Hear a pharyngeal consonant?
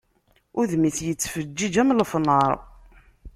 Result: no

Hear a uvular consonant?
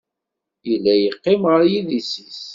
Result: yes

